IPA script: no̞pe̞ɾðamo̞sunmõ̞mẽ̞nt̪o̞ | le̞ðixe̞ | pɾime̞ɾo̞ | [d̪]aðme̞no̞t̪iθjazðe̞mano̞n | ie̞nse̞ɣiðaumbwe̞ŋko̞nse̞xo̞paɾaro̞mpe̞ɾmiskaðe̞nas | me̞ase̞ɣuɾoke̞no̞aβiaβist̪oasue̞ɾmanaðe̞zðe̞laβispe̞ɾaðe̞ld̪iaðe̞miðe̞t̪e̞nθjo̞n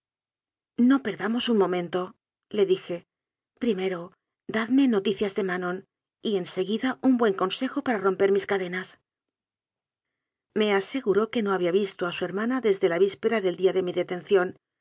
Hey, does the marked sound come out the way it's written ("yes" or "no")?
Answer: yes